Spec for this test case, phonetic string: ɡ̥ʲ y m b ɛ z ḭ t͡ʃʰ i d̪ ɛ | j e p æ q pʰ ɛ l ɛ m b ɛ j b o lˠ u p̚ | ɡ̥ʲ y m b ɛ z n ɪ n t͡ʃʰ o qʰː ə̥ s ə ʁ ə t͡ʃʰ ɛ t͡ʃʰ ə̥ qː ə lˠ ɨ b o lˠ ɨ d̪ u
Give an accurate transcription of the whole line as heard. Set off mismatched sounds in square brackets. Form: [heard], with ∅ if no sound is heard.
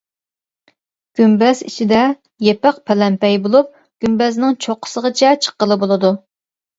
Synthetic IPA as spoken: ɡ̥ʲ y m b ɛ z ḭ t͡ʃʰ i d̪ ɛ | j e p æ q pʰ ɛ l ɛ m [p] ɛ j b o lˠ u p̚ | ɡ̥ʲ y m b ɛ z n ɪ [ŋ] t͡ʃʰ o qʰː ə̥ s ə ʁ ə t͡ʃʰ ɛ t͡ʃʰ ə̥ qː ə lˠ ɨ b o lˠ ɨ d̪ u